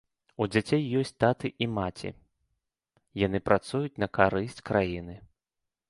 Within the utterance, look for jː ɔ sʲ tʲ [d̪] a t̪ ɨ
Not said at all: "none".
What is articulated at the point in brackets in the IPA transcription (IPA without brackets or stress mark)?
t̪